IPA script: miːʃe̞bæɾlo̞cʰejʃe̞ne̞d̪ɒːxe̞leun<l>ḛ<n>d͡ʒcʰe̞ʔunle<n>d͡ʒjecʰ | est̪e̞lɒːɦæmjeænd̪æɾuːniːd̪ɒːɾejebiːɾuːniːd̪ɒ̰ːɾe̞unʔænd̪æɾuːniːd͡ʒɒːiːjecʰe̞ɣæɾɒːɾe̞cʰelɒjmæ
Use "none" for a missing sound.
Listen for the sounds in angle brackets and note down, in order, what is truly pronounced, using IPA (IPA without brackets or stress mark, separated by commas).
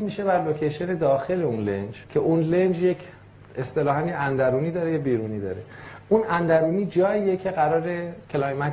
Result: l, n, n